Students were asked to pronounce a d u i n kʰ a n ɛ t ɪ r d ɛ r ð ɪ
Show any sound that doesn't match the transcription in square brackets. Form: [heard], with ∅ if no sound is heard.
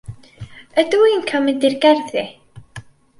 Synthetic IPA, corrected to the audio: [ə] d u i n kʰ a [m] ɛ [d] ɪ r [ɡ] ɛ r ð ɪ